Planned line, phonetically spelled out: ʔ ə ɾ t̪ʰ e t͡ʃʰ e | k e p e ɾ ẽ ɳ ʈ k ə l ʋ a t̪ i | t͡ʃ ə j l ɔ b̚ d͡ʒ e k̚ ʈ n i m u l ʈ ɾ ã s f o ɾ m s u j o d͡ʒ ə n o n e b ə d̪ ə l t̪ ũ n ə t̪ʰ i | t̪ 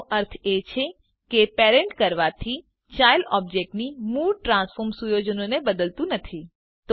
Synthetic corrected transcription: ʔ ə ɾ t̪ʰ e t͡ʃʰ e | k e p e ɾ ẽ ɳ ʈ k ə ɾ ʋ a t̪ʰ i | t͡ʃ a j l ɔ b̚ d͡ʒ e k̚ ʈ n i m u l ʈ ɾ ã s f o ɾ m s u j o d͡ʒ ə n o n e b ə d̪ ə l t̪ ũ n ə t̪ʰ i | t̪